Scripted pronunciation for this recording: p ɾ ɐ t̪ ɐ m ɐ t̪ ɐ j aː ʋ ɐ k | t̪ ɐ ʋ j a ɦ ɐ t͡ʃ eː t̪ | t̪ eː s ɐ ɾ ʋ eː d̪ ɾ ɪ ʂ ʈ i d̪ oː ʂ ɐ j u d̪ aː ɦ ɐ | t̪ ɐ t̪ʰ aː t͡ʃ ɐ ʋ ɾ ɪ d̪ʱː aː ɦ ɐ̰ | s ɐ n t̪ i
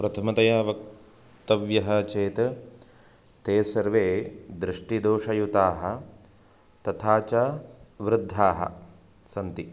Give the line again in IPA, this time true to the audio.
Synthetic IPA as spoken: p ɾ ɐ t̪ʰ ɐ m ɐ t̪ ɐ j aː ʋ ɐ k | t̪ ɐ ʋ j ɐ ɦ ɐ t͡ʃ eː t̪ | t̪ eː s ɐ ɾ ʋ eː d̪ ɾ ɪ ʂ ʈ i d̪ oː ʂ ɐ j u t̪ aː ɦ ɐ | t̪ ɐ t̪ʰ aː t͡ʃ ɐ ʋ ɾ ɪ d̪ʱː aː ɦ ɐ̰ | s ɐ n t̪ i